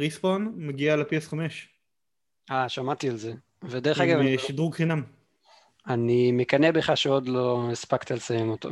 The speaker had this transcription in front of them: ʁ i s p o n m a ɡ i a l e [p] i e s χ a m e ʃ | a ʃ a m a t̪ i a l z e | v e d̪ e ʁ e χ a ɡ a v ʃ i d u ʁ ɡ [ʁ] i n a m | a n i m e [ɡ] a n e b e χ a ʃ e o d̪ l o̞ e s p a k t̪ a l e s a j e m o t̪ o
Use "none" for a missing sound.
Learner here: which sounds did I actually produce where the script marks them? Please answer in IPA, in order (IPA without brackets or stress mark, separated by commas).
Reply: p, χ, k